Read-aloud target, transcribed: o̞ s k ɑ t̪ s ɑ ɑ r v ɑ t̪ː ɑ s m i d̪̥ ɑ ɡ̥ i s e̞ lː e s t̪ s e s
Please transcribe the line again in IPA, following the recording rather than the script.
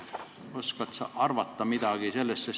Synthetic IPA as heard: o̞ s k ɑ t̪ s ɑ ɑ r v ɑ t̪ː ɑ m i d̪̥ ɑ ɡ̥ i s e̞ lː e s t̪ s e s